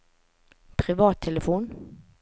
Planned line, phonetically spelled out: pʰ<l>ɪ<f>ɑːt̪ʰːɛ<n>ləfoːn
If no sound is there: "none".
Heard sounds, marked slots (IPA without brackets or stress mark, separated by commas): ɾ, v, none